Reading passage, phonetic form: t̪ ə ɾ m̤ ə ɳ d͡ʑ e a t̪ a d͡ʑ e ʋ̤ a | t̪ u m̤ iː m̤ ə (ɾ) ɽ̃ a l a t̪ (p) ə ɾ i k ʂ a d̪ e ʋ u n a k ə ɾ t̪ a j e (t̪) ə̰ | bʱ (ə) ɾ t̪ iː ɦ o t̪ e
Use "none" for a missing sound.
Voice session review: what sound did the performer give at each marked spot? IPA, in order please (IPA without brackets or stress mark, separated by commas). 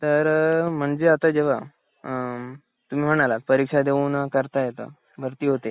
none, p, t̪, ə